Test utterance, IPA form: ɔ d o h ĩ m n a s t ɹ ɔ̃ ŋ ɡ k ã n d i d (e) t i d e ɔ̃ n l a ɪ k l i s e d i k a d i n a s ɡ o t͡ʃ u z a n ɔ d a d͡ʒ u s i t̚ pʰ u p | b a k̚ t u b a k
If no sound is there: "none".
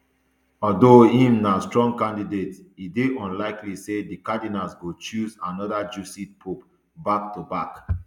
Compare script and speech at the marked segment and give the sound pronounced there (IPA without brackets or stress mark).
e